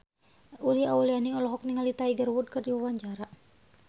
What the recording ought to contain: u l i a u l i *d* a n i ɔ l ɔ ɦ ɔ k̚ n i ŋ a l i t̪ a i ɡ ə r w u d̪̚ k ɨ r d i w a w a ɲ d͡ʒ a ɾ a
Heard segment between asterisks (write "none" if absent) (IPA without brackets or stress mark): none